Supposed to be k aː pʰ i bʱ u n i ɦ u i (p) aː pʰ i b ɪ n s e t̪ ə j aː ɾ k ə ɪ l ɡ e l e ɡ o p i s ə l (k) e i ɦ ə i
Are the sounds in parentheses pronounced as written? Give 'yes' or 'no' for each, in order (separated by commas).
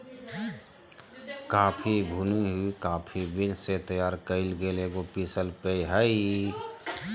no, no